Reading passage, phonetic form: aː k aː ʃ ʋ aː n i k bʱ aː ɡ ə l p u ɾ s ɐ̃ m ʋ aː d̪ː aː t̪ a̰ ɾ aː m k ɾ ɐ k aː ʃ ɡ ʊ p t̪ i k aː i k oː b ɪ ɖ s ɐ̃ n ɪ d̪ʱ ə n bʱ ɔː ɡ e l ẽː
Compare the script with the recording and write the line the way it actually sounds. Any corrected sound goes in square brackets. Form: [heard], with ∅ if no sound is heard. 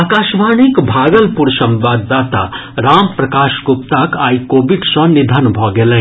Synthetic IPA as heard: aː k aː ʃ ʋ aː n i k bʱ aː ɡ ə l p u ɾ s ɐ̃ m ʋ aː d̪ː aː t̪ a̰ ɾ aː m [p] ɾ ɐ k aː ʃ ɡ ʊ p t̪ [a] k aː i k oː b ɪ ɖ s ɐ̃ n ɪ d̪ʱ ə n bʱ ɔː ɡ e l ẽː